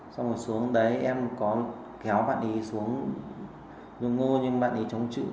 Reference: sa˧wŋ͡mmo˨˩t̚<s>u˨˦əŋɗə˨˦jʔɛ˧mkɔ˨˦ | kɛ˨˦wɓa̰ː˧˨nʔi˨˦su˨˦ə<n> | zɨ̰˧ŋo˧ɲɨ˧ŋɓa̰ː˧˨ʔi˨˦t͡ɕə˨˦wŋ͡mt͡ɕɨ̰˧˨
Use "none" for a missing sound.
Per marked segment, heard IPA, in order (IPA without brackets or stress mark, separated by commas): s, ŋ